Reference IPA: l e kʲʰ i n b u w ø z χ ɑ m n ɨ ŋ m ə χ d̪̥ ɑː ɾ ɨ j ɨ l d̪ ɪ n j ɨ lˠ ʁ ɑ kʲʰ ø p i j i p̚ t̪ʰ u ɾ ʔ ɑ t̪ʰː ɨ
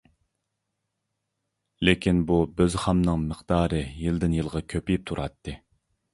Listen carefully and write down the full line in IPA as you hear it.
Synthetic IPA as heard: l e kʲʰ i n b u b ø z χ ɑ m n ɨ ŋ m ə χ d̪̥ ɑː ɾ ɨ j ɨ l d̪ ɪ n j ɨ lˠ ʁ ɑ kʲʰ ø p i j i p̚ t̪ʰ u ɾ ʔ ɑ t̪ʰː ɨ